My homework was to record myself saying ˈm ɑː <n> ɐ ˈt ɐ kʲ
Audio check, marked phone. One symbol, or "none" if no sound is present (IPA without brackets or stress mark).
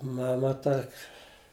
m